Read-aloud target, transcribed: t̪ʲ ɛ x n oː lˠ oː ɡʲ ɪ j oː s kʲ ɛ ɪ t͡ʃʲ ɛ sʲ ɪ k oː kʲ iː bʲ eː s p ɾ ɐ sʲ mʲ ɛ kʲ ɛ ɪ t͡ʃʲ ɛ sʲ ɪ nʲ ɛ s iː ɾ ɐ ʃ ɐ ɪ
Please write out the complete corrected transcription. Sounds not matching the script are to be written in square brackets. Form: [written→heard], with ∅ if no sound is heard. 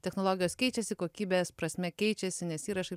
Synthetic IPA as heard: t̪ʲ ɛ x n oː lˠ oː ɡʲ ɪ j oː s kʲ ɛ ɪ t͡ʃʲ ɛ sʲ ɪ k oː kʲ iː bʲ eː s p ɾ ɐ sʲ mʲ ɛ kʲ ɛ ɪ t͡ʃʲ ɛ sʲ ɪ nʲ ɛ s iː ɾ ɐ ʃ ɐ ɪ